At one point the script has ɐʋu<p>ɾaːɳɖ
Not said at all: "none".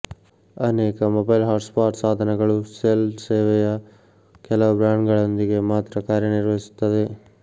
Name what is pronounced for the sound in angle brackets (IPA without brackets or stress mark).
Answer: b